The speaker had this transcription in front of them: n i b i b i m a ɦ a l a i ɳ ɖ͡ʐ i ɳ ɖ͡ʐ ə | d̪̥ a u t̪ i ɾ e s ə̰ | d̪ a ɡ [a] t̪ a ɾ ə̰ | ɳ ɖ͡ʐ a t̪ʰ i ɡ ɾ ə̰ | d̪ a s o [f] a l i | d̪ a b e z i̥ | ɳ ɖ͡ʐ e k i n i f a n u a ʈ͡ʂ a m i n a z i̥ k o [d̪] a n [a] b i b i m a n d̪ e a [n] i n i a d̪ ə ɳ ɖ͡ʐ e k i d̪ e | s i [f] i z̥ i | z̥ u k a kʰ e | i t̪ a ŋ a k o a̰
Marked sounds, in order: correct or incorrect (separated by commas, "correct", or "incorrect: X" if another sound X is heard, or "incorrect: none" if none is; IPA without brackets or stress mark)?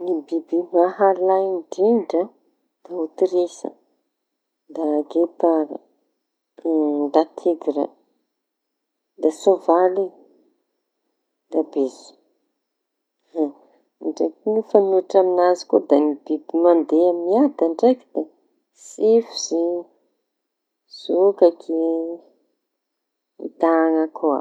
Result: incorrect: e, incorrect: v, correct, incorrect: i, incorrect: m, correct